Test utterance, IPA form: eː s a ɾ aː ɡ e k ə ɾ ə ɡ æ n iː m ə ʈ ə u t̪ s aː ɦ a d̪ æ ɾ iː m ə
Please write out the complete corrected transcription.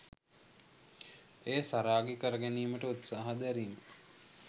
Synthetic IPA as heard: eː s a ɾ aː ɡ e k ə ɾ ə ɡ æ n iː m ə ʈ ə u t̪ s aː ɦ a d̪ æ ɾ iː m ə